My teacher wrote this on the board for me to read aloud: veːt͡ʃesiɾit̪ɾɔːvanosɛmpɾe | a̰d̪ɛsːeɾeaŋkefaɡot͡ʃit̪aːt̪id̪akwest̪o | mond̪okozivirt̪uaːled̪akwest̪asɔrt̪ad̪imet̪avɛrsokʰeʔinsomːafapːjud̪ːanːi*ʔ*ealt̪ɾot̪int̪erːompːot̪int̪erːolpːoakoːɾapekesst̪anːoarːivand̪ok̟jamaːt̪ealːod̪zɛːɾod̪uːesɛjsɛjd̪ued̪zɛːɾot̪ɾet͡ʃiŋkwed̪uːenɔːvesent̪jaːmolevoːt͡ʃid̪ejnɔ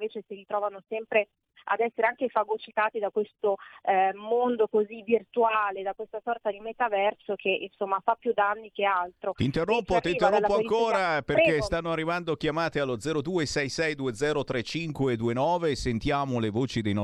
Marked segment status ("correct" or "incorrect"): incorrect